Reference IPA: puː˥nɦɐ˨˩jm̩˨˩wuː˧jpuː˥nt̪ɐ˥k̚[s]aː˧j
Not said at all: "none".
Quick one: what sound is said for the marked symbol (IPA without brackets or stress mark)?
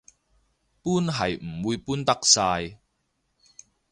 s